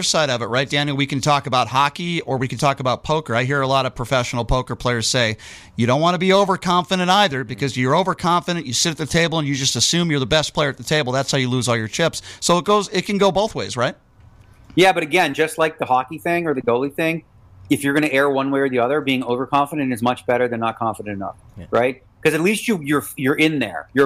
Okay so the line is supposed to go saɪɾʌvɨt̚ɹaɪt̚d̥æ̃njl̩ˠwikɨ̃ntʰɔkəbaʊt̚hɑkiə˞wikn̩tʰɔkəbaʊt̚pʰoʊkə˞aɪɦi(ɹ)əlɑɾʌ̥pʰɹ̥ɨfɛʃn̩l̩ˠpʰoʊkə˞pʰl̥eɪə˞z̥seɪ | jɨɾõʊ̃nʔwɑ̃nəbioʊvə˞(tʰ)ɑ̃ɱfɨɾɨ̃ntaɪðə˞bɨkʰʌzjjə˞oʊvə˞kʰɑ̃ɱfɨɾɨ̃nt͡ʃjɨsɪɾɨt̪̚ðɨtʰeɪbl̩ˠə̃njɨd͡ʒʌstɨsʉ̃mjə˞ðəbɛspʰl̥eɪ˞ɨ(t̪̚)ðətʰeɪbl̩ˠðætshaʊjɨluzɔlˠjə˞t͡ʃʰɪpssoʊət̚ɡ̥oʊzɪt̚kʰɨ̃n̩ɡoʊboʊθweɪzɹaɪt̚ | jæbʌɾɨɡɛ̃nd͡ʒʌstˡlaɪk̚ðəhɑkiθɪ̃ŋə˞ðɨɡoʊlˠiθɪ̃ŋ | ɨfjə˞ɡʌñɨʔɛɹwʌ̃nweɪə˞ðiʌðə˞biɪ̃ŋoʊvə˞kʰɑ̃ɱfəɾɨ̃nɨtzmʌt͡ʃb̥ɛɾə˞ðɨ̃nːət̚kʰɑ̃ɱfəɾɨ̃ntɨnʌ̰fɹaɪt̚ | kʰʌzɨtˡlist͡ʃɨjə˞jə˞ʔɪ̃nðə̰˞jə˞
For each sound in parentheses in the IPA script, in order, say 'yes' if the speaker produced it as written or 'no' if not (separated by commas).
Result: yes, no, yes